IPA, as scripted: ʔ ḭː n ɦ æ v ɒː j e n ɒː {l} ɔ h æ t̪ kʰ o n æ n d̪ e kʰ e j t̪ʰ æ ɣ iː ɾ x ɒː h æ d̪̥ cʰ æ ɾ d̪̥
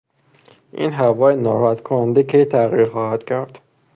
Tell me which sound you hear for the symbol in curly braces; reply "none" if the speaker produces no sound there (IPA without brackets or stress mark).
ɾ